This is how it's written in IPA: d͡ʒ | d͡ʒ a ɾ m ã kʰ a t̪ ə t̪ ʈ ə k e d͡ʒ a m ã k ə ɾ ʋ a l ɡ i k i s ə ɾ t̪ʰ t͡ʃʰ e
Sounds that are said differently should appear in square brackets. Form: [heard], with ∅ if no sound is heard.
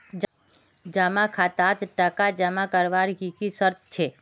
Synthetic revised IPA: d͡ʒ | d͡ʒ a [∅] m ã kʰ a t̪ [a] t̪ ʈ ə k [a] d͡ʒ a m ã k ə ɾ ʋ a [ɾ] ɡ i k i s ə ɾ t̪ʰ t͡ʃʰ e